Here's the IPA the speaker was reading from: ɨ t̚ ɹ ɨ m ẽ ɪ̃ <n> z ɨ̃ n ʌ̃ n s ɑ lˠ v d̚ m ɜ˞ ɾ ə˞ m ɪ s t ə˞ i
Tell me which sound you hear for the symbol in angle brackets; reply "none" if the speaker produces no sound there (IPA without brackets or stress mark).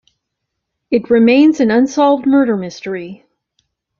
n